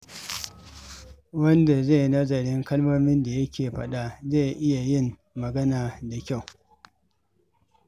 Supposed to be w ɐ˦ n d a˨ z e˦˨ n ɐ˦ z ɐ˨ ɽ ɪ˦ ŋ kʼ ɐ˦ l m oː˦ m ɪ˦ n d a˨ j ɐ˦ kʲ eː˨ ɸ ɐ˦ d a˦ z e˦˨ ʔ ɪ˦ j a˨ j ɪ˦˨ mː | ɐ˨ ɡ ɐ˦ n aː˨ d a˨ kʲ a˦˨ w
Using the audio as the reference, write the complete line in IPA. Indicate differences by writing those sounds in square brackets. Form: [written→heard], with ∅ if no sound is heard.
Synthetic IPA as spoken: w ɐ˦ n d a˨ z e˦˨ n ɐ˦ z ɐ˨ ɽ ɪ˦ ŋ [kʼ→k] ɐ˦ l m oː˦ m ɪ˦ n d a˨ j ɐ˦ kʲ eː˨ ɸ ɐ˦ [d→ɗ] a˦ z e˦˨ ʔ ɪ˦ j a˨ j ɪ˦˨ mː | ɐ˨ ɡ ɐ˦ n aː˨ d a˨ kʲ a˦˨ w